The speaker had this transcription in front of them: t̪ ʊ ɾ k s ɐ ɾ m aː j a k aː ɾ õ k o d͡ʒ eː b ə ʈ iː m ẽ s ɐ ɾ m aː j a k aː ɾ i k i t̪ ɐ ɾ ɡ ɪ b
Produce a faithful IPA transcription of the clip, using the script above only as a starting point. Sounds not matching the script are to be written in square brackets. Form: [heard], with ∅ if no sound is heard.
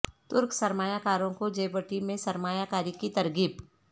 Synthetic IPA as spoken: t̪ ʊ ɾ k s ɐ ɾ m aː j a k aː ɾ õ k o d͡ʒ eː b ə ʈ [i] m ẽ s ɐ ɾ m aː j a k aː ɾ i k i t̪ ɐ ɾ ɡ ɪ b